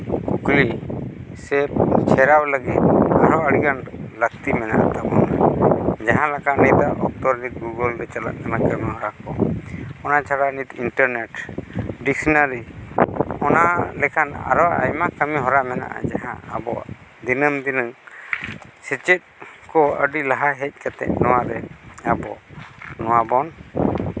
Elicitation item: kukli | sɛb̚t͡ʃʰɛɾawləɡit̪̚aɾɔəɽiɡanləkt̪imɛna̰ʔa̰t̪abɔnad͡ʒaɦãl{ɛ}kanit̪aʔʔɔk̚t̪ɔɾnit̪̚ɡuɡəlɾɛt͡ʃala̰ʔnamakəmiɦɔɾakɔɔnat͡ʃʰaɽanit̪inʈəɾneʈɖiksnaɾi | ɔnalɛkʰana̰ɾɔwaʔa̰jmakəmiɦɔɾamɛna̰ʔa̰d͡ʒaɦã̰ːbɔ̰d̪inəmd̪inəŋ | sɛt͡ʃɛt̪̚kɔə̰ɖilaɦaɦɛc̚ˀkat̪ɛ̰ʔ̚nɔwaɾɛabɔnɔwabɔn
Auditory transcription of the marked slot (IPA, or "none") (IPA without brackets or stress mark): a